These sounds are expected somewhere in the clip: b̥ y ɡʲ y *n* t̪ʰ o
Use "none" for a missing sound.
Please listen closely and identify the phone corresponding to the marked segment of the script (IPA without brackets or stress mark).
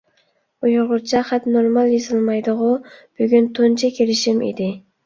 n